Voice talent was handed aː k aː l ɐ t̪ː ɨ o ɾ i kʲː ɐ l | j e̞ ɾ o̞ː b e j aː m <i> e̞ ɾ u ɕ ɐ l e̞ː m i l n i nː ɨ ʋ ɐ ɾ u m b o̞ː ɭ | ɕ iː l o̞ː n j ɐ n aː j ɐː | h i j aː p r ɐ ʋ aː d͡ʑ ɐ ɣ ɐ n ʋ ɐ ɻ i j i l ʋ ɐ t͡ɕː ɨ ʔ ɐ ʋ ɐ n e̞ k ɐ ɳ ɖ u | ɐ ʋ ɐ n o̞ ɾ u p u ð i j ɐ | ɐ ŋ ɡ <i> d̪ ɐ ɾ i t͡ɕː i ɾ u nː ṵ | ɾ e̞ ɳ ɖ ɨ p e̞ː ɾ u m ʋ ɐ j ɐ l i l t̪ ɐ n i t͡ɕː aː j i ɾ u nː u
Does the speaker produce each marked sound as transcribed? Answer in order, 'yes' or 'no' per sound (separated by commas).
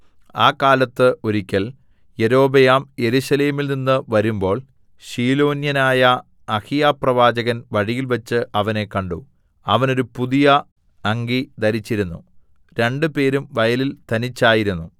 no, yes